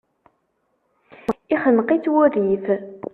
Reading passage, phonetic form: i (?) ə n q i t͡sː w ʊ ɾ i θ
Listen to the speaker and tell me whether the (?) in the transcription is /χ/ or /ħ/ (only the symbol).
χ